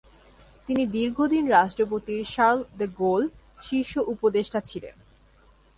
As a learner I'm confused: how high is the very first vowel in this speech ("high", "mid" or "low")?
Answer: high